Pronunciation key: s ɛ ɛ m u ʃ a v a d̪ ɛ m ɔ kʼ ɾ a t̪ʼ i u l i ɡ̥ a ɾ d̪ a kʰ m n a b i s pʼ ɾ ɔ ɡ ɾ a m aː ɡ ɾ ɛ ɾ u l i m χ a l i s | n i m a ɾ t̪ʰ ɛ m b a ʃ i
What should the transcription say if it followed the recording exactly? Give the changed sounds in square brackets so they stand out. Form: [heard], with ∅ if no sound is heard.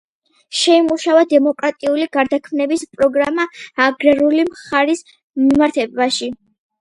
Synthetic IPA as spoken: [ʃ] ɛ [i] m u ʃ a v a d̪ ɛ m ɔ kʼ ɾ a t̪ʼ i u l i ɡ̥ a ɾ d̪ a kʰ m n [ɛ] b i s pʼ ɾ ɔ ɡ ɾ a m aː ɡ ɾ ɛ ɾ u l i m χ a [ɾ] i s | [m] i m a ɾ t̪ʰ ɛ [∅] b a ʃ i